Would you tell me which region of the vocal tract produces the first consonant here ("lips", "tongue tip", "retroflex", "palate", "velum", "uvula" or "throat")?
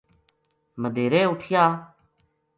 lips